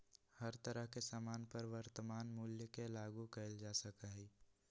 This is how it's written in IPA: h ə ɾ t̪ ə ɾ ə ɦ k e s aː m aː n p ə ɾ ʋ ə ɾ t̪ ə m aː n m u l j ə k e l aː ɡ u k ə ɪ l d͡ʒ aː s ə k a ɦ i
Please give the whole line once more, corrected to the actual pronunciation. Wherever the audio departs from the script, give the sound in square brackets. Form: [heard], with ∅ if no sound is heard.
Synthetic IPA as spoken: h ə ɾ t̪ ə ɾ ə ɦ k e s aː m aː n p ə ɾ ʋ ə ɾ t̪ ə m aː n m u l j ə k e l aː ɡ u k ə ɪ l d͡ʒ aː s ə k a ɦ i